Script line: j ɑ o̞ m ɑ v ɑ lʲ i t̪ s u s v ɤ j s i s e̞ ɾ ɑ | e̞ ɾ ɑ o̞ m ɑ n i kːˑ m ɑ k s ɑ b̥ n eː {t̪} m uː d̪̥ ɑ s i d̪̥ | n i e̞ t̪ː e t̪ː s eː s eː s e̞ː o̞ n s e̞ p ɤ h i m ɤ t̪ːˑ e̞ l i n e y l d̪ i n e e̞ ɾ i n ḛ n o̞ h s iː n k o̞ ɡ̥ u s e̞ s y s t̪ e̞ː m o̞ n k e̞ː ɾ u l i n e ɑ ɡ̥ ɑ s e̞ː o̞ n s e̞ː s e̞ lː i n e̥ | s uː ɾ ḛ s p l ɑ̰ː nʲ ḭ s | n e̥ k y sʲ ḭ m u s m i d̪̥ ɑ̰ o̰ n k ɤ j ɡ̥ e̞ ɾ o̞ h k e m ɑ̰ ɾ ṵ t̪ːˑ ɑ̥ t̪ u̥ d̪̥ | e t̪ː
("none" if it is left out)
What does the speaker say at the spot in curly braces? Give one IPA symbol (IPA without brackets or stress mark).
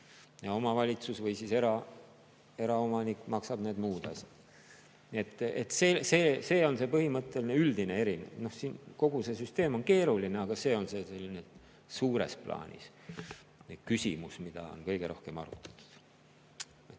d̪